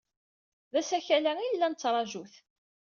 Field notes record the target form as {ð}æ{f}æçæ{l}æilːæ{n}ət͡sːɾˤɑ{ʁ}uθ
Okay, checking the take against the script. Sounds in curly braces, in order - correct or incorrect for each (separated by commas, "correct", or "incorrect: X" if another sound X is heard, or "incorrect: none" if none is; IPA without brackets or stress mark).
correct, incorrect: s, correct, correct, incorrect: ʒ